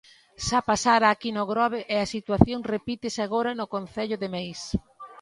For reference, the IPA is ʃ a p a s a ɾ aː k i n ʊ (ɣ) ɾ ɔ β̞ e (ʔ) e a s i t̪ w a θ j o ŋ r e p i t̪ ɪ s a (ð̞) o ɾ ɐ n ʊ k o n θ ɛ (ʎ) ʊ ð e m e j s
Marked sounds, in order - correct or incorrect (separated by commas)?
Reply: correct, correct, incorrect, correct